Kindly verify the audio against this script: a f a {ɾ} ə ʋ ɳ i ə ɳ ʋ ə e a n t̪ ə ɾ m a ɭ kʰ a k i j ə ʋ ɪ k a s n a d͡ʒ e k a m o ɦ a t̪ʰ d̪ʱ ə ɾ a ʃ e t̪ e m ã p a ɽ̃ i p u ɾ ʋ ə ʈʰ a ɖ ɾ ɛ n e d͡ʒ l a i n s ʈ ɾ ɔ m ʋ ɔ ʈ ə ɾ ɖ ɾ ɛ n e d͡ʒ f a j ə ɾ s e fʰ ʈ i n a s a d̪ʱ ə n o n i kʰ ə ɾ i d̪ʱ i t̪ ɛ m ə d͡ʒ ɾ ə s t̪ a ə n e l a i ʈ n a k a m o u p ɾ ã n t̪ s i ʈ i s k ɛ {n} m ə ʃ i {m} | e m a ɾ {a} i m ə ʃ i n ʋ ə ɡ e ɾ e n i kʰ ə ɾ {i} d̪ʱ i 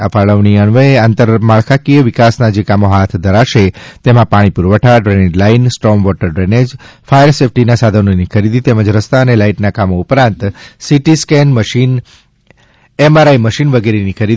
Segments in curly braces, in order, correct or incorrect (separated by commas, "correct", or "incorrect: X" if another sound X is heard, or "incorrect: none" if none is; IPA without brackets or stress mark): incorrect: ɭ, correct, incorrect: n, correct, correct